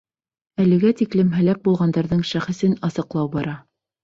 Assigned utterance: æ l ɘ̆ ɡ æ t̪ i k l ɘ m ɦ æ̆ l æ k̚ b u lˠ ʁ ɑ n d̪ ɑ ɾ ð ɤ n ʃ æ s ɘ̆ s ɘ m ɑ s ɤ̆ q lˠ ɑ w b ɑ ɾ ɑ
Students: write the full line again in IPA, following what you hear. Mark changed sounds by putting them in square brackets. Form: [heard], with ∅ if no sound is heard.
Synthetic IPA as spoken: æ l ɘ̆ ɡ æ t̪ i k l ɘ m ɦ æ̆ l æ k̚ b u lˠ ʁ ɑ n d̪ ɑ ɾ ð ɤ [ɴ] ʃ æ [χ] ɘ̆ s ɘ [n] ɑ s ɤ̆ q lˠ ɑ w b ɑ ɾ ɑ